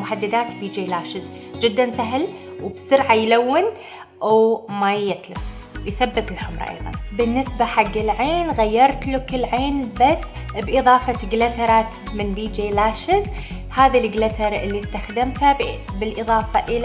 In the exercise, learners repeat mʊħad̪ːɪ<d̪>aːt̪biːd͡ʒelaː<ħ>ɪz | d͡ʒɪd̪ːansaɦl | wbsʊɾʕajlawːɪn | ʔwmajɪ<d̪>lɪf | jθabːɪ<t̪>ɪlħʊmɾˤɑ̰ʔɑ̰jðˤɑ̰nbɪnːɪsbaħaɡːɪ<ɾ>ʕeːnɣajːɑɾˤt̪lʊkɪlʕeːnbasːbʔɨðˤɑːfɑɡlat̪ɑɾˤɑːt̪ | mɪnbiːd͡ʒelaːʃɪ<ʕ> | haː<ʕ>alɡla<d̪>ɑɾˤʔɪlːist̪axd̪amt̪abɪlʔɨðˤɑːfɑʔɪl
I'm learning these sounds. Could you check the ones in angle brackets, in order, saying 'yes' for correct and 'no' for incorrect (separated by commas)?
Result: yes, no, no, yes, no, no, no, no